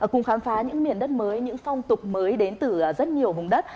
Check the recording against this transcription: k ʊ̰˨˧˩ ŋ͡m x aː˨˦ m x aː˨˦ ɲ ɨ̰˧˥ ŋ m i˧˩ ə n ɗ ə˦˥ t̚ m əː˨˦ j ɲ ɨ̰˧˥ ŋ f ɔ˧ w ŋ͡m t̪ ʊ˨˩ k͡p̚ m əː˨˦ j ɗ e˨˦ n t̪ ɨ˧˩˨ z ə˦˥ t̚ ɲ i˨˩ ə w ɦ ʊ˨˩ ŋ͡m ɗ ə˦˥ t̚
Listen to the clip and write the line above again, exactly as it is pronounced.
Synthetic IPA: k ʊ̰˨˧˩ ŋ͡m x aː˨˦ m f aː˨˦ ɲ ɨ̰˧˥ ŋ m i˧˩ ə n ɗ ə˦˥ t̚ m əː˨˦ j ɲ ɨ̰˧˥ ŋ f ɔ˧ w ŋ͡m t̪ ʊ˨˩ k͡p̚ m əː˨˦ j ɗ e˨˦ n t̪ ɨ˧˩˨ z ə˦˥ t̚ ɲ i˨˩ ə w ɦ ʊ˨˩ ŋ͡m ɗ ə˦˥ t̚